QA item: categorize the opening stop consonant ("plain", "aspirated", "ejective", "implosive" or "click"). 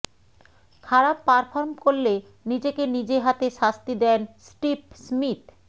aspirated